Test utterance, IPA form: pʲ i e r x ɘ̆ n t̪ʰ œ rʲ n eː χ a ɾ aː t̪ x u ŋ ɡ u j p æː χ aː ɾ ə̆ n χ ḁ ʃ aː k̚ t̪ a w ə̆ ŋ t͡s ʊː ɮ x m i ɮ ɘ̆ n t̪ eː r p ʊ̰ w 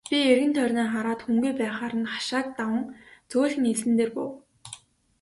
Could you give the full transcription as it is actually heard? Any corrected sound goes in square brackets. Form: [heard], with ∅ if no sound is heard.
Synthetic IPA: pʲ i e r [ɣ] ɘ̆ n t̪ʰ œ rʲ n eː χ a ɾ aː t̪ x u ŋ ɡ u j p æː χ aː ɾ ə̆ n χ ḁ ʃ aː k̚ t̪ a w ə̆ ŋ t͡s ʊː ɮ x [n] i ɮ ɘ̆ n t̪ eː r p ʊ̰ w